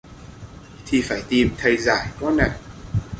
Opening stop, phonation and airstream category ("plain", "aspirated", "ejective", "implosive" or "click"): aspirated